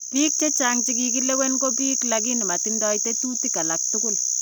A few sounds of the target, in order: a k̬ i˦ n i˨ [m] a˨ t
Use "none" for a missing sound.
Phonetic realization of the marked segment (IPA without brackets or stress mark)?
m